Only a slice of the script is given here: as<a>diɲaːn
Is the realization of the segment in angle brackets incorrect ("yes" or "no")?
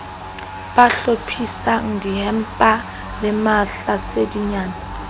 yes